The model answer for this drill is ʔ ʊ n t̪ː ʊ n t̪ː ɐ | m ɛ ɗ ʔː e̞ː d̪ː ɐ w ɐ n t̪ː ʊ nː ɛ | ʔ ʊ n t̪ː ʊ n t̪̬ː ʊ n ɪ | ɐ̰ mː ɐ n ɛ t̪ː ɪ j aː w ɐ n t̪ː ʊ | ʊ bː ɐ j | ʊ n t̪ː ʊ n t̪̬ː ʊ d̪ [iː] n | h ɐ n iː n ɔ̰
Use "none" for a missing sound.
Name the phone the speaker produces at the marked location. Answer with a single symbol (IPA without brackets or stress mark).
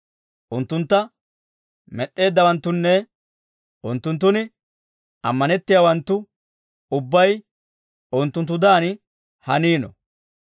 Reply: aː